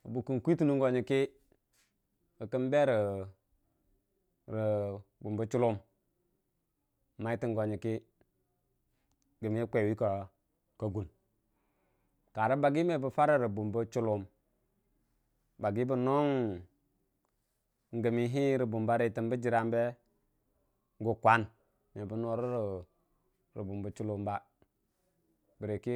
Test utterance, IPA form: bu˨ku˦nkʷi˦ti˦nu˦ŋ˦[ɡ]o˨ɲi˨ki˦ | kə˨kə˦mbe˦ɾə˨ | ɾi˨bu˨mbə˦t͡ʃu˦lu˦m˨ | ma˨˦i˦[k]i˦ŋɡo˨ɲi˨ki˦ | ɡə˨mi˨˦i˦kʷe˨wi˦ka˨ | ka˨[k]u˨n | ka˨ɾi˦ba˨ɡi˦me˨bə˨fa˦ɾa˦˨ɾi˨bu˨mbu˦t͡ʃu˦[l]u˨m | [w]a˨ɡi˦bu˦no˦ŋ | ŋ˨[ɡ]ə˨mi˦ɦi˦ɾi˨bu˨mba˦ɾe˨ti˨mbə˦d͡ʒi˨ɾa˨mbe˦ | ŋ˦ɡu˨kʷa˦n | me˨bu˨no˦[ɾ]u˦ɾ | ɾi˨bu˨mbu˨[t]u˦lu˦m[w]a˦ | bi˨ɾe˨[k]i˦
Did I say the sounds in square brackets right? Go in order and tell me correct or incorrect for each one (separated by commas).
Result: correct, incorrect, incorrect, correct, incorrect, correct, correct, incorrect, incorrect, correct